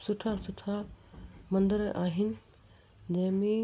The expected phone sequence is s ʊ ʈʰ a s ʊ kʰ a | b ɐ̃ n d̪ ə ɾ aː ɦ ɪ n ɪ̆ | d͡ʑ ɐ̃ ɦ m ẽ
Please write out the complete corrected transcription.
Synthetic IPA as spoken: s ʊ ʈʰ a s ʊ ʈʰ a | m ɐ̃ n d̪ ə ɾ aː ɦ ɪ n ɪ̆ | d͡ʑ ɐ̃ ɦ m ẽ